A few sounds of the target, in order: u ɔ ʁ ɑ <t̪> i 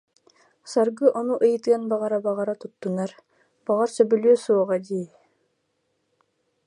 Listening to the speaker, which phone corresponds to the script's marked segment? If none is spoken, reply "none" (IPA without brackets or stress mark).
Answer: d̪